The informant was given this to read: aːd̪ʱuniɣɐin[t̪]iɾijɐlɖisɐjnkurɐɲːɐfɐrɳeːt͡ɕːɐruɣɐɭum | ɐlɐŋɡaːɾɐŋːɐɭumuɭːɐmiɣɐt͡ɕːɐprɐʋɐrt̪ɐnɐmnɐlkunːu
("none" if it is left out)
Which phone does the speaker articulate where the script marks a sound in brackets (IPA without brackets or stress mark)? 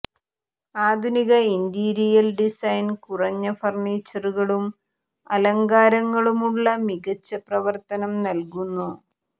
d̪